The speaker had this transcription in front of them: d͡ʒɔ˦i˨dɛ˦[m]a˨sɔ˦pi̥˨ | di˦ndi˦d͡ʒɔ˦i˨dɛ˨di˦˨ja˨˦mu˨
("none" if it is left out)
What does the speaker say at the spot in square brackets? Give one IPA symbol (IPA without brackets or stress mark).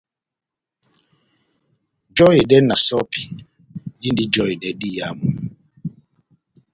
n